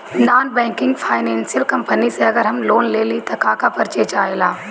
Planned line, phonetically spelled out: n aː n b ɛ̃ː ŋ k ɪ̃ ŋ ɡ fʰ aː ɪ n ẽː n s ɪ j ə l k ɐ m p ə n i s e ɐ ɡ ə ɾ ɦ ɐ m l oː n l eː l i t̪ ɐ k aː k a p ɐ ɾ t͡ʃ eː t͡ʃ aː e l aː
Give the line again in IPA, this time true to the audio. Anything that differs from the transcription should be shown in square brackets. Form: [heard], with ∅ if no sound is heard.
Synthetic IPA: n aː n b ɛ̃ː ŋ k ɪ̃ ŋ ɡ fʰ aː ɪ n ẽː n s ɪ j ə l k ɐ m p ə n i s e ɐ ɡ ə ɾ ɦ ɐ m l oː n l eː l i t̪ ɐ k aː k a p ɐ ɾ t͡ʃ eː t͡ʃ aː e l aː